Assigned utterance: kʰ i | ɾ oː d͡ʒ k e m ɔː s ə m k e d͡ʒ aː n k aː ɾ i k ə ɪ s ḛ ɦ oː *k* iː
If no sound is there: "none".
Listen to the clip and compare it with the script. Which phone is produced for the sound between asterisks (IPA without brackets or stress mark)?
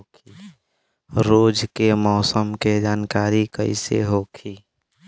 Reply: kʰ